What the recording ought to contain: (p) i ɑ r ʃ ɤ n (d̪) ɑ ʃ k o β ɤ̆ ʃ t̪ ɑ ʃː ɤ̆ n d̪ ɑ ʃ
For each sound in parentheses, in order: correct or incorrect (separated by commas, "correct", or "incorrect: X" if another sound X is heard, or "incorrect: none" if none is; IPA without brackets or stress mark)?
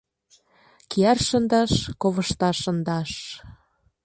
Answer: incorrect: k, correct